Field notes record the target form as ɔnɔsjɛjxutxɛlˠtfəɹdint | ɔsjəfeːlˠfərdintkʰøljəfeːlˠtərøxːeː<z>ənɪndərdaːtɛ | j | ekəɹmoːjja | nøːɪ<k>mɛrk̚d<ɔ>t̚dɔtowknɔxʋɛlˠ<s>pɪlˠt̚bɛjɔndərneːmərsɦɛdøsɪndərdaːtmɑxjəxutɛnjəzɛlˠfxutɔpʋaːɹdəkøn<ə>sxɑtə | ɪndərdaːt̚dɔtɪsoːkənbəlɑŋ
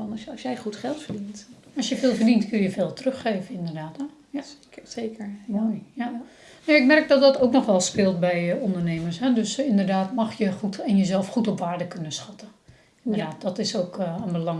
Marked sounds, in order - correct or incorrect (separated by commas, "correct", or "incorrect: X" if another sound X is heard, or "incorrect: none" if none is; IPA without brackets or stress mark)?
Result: incorrect: v, correct, correct, correct, correct